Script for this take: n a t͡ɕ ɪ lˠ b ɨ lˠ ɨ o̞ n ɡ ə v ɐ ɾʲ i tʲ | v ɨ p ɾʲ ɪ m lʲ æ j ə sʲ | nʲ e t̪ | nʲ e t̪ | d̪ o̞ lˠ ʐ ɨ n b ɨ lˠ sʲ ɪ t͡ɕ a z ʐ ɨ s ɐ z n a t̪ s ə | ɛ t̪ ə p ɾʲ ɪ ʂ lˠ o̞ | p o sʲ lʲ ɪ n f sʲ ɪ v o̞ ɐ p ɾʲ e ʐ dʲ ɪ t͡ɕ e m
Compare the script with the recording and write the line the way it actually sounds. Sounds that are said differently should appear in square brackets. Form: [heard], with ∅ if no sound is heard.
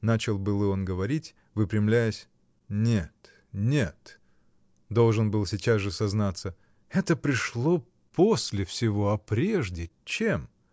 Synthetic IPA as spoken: n a t͡ɕ ɪ lˠ b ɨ lˠ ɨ o̞ n ɡ ə v ɐ ɾʲ i tʲ | v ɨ p ɾʲ ɪ m lʲ æ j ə sʲ | nʲ e t̪ | nʲ e t̪ | d̪ o̞ lˠ ʐ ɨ n b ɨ lˠ sʲ ɪ t͡ɕ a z ʐ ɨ s ɐ z n a t̪ s ə | ɛ t̪ ə p ɾʲ ɪ ʂ lˠ o̞ | p o sʲ lʲ ɪ [∅] f sʲ ɪ v o̞ ɐ p ɾʲ e ʐ dʲ ɪ t͡ɕ e m

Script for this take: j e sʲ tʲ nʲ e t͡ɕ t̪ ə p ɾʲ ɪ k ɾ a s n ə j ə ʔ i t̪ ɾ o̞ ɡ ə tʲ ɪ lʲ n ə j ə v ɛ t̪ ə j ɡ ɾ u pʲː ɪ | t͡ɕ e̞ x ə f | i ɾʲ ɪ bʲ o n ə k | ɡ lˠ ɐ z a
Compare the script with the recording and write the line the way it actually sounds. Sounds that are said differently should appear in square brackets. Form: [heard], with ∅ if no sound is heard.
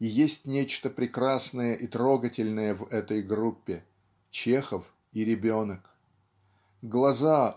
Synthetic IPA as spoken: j e sʲ tʲ nʲ e t͡ɕ t̪ ə p ɾʲ ɪ k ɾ a s n ə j ə ʔ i t̪ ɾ o̞ ɡ ə tʲ ɪ lʲ n ə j ə v ɛ t̪ ə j ɡ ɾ u pʲː ɪ | t͡ɕ e̞ x ə f | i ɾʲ ɪ bʲ o n ə k | ɡ lˠ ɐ z a

